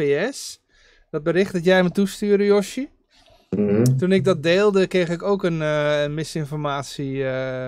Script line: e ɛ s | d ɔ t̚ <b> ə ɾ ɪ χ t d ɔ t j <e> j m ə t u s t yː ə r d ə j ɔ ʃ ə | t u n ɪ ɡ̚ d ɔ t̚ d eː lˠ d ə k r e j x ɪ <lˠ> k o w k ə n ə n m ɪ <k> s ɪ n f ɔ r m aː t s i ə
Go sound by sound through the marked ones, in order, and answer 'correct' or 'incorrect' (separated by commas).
correct, incorrect, incorrect, incorrect